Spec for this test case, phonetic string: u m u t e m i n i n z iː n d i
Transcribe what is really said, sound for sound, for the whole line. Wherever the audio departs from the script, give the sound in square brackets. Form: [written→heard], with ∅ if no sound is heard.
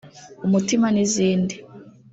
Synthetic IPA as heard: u m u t [e→i] m [i→a] n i [n→∅] z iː n d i

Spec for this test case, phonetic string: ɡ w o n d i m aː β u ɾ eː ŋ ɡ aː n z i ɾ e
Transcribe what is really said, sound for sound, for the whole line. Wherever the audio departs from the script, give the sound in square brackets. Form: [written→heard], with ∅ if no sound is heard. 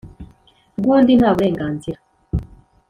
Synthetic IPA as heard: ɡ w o n d i [m→n] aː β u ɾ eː ŋ ɡ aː n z i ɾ [e→a]

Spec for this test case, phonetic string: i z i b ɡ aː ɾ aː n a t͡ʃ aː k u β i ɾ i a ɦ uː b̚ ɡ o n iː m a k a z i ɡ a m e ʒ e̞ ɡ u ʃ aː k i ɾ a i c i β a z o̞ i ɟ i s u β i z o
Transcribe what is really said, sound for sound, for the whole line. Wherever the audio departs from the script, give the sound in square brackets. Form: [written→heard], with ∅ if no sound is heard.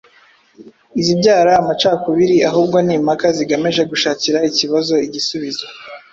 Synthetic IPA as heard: i z i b [ɡ→ɟ] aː ɾ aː [n→m] a t͡ʃ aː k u β i ɾ i a ɦ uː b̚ ɡ o n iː m a k a z i ɡ a m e ʒ e̞ ɡ u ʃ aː [k→c] i ɾ a i c i β a z o̞ i ɟ i s u β i z o

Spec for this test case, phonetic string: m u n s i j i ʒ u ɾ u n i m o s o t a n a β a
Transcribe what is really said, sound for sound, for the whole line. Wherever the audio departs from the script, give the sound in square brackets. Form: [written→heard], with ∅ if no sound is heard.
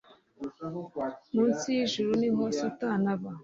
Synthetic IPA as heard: m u n s i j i ʒ u ɾ u n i m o s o t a n a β a

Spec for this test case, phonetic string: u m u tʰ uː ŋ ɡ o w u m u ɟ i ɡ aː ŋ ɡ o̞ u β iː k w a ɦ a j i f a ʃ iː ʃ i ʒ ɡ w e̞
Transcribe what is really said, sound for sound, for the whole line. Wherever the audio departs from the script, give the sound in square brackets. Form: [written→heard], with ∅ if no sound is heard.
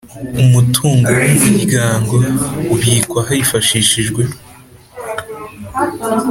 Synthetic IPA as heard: u m u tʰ uː ŋ ɡ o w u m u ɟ i ɡ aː ŋ ɡ o̞ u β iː k w a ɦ a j i f a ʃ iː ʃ i ʒ ɡ w e̞

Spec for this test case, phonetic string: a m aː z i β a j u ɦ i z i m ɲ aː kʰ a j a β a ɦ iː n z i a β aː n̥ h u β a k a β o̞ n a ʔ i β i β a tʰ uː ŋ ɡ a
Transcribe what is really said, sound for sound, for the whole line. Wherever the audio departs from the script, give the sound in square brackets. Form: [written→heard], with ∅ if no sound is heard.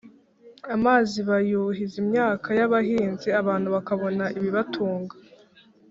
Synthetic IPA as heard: a m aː z i β a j u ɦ i z i m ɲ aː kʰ a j a β a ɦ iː n z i a β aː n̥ h u β a k a β o̞ n a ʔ i β i β a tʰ uː ŋ ɡ a

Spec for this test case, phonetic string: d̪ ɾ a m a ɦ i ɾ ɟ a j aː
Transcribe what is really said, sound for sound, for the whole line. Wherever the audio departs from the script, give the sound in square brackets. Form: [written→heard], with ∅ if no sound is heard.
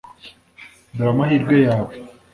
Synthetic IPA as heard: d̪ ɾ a m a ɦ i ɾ [ɟ→ɡ] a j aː

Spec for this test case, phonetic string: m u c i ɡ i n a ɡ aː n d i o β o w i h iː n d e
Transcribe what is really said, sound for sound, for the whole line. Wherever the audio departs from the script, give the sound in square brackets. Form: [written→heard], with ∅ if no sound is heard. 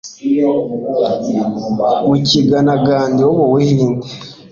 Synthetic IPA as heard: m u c i ɡ [i→a] n a ɡ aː n d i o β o w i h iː n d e

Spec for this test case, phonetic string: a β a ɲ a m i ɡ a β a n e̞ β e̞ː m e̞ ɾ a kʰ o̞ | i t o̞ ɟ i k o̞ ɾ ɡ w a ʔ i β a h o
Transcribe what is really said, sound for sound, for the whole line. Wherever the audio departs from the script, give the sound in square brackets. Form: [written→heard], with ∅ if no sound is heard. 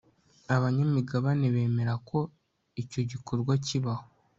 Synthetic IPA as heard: a β a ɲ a m i ɡ a β a n e̞ β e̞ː m e̞ ɾ a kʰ o̞ | i [t→c] o̞ ɟ i k o̞ ɾ ɡ w a [ʔ→c] i β a h o

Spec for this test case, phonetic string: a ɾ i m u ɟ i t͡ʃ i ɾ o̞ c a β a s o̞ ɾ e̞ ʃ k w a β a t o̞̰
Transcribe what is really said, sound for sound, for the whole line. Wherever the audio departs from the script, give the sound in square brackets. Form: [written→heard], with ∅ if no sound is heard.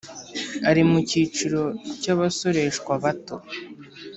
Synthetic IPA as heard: a ɾ i m u [ɟ→c] i t͡ʃ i ɾ o̞ c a β a s o̞ ɾ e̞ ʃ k w a β a t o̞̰

